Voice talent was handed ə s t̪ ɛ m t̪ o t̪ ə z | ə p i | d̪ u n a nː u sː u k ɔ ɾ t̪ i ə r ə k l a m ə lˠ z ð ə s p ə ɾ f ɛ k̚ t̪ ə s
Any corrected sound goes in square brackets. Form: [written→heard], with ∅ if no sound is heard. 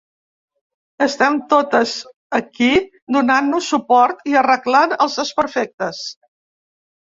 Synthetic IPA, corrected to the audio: ə s t̪ ɛ m t̪ o t̪ ə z | ə [p→k] i | d̪ u n a nː u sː u [k→p] ɔ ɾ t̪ i ə r ə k l a [m→n] ə lˠ z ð ə s p ə ɾ f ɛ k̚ t̪ ə s